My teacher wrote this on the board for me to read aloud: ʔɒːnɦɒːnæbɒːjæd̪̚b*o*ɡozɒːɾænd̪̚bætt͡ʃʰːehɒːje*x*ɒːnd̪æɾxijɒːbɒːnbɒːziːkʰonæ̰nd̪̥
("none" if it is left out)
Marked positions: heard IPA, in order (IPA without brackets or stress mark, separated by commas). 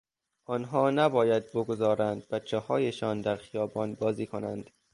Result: o, ʃ